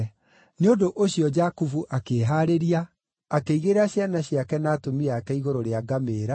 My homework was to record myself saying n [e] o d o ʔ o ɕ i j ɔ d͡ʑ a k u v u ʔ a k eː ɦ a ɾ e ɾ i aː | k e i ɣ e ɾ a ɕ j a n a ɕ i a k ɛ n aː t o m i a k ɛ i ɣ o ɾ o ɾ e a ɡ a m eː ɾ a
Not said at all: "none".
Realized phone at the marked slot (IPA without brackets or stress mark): e